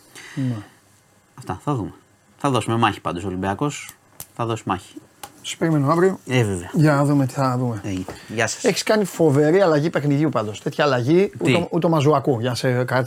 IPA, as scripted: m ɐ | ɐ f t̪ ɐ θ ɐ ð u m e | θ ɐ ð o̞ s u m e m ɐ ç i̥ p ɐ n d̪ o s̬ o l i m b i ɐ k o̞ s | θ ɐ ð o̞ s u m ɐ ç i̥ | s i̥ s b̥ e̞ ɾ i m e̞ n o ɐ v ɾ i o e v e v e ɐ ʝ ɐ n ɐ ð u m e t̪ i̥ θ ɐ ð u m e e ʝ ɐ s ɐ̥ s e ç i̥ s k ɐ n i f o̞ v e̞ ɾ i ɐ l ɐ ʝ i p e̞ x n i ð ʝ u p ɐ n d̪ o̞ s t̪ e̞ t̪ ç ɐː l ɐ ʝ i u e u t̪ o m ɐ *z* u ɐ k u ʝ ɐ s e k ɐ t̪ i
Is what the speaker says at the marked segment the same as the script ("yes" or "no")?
yes